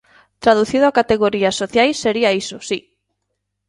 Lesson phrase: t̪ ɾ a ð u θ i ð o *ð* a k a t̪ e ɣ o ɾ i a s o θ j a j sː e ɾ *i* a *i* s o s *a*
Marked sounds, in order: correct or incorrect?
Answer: incorrect, correct, correct, incorrect

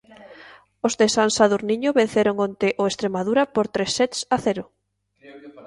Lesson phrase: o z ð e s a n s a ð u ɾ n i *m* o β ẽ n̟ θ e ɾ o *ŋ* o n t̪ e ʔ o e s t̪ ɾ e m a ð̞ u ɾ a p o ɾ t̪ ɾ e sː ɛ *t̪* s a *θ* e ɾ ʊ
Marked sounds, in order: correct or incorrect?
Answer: incorrect, correct, correct, correct

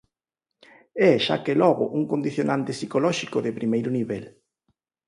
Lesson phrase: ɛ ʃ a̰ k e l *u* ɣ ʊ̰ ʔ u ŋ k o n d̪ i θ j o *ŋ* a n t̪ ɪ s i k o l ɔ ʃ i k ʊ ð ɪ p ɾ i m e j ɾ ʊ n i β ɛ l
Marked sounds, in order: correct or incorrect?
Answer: incorrect, incorrect

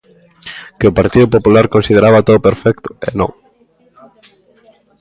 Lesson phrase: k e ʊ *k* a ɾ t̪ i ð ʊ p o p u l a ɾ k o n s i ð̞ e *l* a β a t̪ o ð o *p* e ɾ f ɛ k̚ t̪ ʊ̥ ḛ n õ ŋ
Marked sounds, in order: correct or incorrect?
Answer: incorrect, incorrect, correct

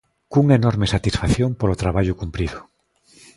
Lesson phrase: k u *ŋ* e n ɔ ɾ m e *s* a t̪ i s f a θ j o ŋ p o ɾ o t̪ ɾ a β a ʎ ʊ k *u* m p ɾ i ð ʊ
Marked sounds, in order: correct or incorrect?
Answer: correct, correct, correct

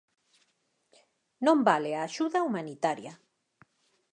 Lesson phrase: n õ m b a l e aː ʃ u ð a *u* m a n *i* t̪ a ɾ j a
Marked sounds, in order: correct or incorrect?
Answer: correct, correct

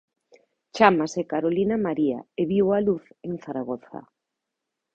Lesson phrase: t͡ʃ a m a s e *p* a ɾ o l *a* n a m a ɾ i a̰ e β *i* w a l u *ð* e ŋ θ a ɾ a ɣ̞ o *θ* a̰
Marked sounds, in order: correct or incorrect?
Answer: incorrect, incorrect, correct, incorrect, correct

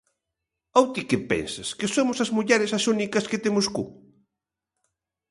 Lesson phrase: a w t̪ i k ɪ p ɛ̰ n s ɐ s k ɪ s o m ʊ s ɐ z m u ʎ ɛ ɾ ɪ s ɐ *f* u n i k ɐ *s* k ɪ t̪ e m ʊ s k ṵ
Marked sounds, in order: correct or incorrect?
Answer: incorrect, correct

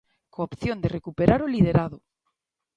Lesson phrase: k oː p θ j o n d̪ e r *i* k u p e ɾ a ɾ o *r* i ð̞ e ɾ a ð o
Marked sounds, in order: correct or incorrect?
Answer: incorrect, incorrect

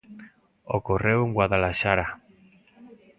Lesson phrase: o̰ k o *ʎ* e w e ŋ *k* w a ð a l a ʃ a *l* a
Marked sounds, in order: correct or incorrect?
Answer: incorrect, incorrect, incorrect

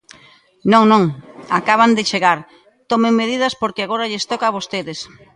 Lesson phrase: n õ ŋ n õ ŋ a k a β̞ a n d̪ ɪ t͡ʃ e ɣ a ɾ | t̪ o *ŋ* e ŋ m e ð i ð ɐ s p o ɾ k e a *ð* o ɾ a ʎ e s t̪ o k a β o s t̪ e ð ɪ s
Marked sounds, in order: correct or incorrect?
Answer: incorrect, incorrect

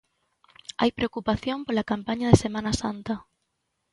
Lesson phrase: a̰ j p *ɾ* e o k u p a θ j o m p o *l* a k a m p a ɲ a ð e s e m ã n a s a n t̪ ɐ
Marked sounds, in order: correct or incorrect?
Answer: correct, correct

